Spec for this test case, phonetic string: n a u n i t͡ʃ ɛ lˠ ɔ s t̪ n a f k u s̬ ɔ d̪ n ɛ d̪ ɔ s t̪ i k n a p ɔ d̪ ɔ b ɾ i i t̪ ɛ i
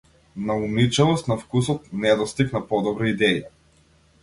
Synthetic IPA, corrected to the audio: n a u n i t͡ʃ ɛ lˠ ɔ s t̪ n a f k u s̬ ɔ t̪ n ɛ d̪ ɔ s t̪ i k n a p ɔ d̪ ɔ b ɾ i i d̪ ɛ i